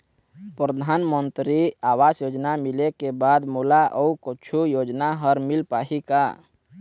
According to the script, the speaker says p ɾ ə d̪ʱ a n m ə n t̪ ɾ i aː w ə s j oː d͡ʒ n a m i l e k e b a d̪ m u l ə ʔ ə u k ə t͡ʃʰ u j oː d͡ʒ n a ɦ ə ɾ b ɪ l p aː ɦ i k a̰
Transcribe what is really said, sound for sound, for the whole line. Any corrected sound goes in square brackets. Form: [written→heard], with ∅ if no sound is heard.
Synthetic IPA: p ɾ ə d̪ʱ a n m ə n t̪ ɾ i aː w [ə→a] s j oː d͡ʒ n a m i l e k e b a d̪ m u l [ə→a] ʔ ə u k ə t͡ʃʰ u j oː d͡ʒ n a ɦ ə ɾ [b→m] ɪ l p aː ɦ i k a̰